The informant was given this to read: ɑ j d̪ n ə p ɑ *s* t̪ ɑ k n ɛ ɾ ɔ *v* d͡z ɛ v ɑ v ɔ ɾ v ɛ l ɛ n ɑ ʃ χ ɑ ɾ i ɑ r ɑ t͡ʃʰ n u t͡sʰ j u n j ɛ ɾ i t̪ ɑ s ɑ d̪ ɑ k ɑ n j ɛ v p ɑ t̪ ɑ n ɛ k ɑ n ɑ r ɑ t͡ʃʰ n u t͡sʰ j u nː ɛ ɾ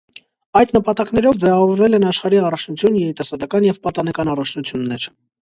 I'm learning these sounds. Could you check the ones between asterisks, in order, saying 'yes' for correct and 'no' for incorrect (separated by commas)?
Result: no, yes